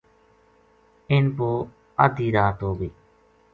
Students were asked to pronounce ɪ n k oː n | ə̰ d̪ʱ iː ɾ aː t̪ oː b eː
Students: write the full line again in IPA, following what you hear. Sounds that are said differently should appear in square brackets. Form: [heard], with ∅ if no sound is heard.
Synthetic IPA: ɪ n [p] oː [∅] | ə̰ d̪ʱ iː ɾ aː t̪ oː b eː